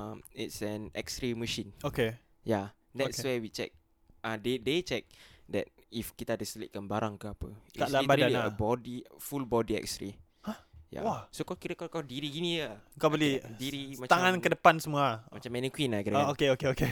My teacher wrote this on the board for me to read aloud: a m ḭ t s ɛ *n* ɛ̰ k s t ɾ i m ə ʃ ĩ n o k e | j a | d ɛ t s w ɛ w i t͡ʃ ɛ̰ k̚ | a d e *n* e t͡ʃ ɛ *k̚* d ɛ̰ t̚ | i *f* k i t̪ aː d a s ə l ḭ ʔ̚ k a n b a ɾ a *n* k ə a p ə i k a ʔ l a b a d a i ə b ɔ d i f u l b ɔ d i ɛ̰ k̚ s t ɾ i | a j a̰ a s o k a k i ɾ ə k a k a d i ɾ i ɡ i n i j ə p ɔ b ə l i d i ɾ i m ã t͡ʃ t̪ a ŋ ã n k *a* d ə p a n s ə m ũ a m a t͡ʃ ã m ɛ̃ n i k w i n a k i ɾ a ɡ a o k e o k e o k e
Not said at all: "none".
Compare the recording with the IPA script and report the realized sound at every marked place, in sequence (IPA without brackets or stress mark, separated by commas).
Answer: n, d, k̚, f, ŋ, ə